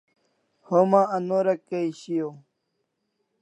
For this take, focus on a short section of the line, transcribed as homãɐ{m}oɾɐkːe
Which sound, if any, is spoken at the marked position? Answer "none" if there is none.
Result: n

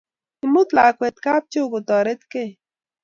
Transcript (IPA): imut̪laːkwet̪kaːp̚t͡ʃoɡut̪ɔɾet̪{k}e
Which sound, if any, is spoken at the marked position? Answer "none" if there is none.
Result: k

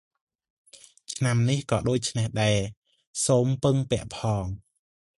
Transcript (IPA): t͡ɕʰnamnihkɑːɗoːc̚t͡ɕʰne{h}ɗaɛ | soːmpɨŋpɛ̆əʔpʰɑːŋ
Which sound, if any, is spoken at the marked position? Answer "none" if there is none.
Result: h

